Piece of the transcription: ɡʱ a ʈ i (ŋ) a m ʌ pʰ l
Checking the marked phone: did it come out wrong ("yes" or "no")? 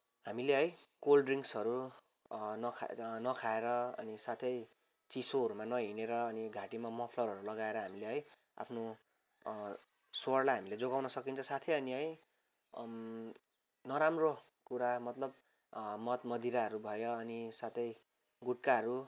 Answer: yes